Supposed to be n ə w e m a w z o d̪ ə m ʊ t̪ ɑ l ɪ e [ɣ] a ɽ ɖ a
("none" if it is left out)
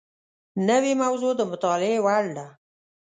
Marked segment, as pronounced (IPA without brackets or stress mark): w